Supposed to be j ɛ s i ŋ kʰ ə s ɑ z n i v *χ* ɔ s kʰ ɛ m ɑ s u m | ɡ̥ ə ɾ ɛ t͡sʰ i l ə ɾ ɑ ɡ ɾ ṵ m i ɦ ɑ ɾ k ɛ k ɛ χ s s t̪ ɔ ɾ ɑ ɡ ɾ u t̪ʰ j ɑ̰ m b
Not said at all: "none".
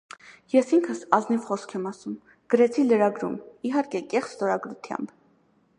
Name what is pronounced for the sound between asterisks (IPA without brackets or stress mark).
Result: χ